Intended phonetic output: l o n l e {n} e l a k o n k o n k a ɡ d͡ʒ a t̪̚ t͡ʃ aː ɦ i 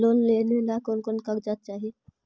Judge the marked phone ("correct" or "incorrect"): correct